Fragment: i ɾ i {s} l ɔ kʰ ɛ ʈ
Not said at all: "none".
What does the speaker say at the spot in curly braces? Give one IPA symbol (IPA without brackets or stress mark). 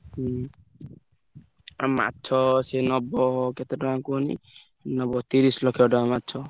s